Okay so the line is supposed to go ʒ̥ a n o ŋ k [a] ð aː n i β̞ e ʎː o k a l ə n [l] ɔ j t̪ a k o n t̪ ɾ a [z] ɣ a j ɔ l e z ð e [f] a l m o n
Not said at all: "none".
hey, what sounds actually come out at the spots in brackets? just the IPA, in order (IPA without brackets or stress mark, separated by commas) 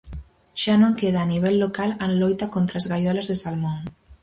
e, l, z, s